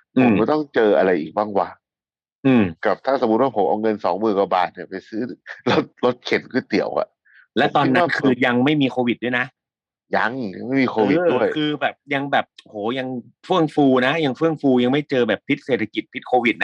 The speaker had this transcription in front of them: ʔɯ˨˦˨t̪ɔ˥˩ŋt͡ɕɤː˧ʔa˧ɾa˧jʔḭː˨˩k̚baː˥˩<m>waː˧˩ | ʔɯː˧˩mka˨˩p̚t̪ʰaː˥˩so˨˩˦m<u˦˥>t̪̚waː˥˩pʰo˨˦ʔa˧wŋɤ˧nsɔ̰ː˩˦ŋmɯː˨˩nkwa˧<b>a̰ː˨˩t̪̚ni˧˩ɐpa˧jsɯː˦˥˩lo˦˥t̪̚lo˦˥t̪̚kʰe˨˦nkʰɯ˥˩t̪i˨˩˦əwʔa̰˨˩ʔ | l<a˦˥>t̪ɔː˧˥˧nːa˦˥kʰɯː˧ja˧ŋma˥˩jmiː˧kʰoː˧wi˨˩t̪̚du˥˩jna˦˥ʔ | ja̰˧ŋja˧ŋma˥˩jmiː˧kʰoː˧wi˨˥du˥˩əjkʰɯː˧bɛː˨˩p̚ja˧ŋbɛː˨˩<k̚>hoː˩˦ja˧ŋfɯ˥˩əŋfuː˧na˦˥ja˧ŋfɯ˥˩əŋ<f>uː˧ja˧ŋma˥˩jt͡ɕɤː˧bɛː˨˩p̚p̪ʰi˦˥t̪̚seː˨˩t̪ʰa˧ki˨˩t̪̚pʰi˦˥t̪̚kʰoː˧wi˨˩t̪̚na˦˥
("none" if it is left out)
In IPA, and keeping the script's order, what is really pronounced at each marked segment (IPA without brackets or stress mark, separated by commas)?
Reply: ŋ, u˦˥, b, ɛ˦˥, p̚, f